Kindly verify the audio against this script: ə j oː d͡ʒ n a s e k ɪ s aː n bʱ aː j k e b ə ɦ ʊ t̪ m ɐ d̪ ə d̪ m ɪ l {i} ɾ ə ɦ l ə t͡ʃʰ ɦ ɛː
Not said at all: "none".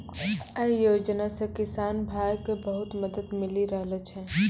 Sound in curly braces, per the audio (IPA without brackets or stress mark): i